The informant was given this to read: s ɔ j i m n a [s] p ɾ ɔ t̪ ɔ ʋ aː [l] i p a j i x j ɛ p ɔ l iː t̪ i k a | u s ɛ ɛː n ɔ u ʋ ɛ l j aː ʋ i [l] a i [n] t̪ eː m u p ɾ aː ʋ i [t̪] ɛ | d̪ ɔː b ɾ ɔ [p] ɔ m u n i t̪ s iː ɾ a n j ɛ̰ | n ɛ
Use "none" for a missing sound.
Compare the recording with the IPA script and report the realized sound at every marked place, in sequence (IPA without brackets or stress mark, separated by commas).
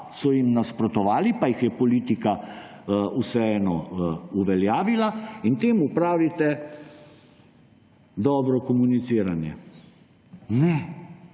s, l, l, n, t̪, k